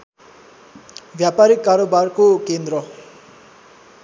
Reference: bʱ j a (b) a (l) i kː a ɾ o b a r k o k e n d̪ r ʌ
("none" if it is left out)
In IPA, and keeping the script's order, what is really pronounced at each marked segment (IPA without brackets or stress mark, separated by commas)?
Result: p, ɾ